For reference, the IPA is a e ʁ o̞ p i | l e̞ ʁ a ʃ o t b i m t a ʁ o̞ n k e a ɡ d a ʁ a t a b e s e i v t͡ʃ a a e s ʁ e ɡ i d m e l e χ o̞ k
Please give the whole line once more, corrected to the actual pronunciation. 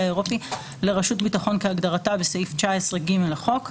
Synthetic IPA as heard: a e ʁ o̞ p i | l e̞ ʁ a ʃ u t b i t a χ o̞ n k e a ɡ d a ʁ a t a b e s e i f t͡ʃ a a e s ʁ e ɡ i m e l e χ o̞ k